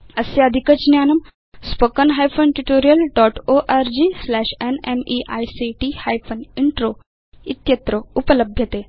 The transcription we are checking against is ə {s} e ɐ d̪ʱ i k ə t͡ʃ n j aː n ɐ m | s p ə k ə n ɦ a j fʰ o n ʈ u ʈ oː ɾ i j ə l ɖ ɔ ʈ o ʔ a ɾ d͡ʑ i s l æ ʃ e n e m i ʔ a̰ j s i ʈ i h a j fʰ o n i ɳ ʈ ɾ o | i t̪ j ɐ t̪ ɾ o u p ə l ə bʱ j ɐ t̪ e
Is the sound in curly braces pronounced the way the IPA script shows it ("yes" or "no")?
yes